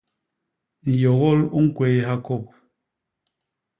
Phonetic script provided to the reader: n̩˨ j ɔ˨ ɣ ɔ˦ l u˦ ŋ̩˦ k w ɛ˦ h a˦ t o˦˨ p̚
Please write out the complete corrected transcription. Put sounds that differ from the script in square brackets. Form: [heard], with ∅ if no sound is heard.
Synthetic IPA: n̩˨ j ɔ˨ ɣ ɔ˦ l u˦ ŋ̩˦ k w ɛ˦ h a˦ [k] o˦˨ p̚